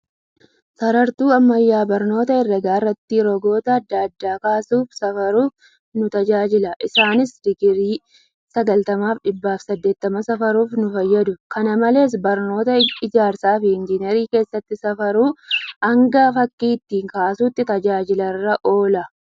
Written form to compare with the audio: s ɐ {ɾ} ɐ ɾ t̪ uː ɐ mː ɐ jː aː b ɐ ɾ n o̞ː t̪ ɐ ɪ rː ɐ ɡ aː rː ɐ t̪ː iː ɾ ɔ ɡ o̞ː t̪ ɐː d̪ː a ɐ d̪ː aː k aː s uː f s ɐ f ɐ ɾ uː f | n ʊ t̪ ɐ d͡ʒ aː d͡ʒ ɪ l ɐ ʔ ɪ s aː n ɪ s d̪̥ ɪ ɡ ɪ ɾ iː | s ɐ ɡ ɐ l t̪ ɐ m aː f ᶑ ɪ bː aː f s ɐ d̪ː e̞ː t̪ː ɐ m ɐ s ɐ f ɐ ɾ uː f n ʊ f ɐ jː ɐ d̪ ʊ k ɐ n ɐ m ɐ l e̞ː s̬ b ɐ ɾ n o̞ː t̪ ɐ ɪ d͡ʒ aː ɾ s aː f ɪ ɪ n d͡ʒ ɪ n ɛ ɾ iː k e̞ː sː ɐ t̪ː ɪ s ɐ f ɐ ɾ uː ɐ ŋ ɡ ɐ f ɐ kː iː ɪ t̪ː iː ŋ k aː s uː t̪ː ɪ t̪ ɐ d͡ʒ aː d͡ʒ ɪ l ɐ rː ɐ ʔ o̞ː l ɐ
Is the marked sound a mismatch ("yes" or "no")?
no